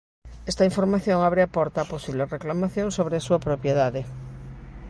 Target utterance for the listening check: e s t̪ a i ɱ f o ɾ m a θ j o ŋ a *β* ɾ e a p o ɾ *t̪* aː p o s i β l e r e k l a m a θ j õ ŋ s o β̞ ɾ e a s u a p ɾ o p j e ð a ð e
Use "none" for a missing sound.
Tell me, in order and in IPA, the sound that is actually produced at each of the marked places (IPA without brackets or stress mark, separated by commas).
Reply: β, t̪